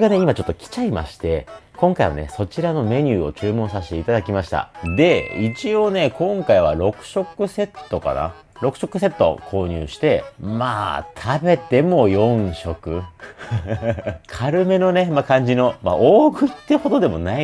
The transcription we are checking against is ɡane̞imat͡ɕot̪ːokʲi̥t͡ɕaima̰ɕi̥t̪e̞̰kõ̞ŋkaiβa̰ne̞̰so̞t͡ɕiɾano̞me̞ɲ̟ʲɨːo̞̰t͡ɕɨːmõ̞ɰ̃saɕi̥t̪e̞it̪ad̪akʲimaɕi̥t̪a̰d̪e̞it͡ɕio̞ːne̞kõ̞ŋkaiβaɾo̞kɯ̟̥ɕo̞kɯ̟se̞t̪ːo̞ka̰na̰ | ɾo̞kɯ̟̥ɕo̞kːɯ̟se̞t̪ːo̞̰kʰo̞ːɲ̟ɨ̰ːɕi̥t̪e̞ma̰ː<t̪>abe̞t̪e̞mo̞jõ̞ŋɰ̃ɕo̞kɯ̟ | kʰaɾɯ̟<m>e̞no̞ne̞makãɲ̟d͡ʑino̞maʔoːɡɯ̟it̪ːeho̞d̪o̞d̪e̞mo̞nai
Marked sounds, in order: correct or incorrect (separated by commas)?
incorrect, correct